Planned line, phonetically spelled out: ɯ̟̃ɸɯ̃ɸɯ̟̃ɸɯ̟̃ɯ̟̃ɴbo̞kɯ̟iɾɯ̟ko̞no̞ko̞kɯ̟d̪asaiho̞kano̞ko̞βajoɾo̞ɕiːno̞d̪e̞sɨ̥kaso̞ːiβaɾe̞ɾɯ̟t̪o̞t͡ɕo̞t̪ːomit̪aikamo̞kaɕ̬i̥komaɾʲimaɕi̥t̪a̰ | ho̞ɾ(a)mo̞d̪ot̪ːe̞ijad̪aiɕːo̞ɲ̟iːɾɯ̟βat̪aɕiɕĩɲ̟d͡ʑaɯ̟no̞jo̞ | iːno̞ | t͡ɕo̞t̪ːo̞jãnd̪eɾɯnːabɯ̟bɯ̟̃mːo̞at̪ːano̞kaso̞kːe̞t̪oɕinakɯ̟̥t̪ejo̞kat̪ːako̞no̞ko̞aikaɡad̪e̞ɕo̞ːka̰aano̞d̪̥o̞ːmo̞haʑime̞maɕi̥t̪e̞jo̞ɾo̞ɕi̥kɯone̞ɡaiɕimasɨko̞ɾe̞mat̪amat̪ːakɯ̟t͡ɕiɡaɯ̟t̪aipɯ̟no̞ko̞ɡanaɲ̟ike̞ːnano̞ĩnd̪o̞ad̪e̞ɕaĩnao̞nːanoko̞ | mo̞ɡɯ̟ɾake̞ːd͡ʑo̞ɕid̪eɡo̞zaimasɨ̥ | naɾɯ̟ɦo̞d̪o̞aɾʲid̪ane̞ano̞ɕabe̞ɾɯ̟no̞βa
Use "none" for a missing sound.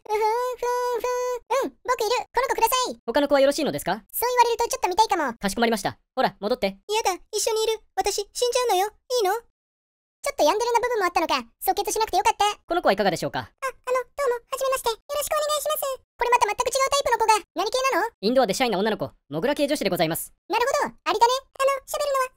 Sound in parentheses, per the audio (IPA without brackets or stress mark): a